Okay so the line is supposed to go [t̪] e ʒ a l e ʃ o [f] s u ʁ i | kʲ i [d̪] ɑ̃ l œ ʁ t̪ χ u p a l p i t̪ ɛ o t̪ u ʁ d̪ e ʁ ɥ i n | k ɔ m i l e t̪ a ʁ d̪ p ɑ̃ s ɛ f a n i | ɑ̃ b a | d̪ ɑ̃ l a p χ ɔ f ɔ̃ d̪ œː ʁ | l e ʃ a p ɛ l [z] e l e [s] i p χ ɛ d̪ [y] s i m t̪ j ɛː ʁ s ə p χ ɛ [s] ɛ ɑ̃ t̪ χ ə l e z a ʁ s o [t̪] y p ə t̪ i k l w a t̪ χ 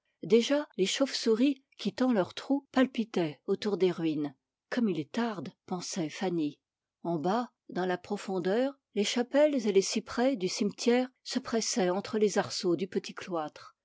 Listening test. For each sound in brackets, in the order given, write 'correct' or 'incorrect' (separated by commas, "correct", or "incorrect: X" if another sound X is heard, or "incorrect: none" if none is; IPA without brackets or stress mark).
incorrect: d̪, correct, incorrect: t̪, correct, correct, correct, correct, incorrect: d̪